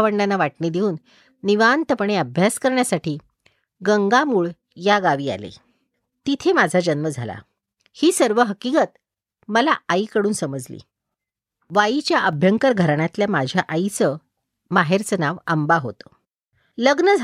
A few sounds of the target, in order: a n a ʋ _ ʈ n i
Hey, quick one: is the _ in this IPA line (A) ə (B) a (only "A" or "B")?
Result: B